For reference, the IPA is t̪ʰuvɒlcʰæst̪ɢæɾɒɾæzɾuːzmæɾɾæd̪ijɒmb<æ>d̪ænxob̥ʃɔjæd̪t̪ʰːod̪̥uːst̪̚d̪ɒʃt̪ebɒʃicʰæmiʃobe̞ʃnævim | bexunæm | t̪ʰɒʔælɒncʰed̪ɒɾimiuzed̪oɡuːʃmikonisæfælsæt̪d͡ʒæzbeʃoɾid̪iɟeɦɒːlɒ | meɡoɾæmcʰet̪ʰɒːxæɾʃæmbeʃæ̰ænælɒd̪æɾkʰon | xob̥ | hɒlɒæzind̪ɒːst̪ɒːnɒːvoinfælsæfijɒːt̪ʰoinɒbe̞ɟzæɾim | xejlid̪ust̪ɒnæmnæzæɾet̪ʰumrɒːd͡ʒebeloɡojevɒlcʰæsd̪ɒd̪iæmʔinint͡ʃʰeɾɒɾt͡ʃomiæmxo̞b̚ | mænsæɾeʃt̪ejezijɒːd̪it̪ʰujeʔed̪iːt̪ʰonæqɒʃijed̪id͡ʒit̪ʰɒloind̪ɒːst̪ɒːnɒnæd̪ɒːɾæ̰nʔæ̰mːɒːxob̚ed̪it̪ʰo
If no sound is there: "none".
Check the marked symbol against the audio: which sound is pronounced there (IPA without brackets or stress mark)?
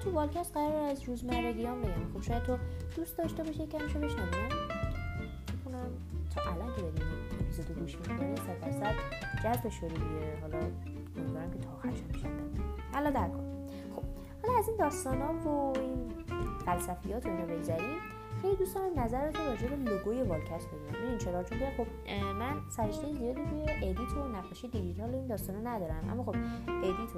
e